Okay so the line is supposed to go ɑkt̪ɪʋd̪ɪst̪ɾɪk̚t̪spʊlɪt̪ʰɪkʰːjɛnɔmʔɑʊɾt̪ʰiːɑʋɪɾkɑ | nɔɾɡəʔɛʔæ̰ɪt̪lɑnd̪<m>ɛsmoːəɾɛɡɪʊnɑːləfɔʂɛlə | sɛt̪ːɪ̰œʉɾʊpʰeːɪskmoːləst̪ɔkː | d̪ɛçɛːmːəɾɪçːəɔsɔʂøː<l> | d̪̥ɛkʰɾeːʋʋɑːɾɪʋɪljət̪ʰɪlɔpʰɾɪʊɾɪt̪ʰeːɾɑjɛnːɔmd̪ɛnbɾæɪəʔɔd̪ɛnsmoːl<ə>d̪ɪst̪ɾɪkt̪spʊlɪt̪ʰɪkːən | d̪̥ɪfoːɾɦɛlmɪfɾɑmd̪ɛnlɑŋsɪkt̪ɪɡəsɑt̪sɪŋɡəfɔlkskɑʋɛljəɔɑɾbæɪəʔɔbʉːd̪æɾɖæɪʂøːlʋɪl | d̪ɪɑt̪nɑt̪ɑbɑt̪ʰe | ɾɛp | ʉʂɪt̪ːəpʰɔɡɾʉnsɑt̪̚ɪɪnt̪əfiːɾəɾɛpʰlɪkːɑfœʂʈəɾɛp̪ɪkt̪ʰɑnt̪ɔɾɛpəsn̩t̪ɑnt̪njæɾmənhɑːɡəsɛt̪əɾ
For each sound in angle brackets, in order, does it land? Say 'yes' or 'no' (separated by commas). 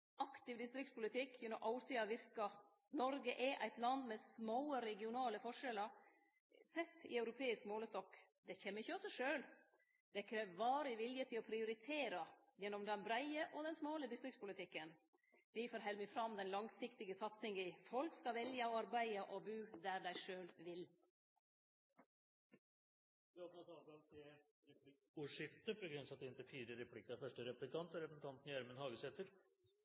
yes, yes, yes